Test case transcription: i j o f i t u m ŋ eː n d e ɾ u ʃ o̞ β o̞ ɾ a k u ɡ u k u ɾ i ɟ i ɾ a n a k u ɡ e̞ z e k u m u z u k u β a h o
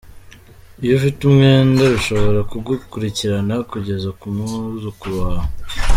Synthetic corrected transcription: i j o f i t u m ŋ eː n d a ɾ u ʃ o̞ β o̞ ɾ a k u ɡ u k u ɾ i c i ɾ a n a k u ɟ e̞ z a k u m u z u k u β a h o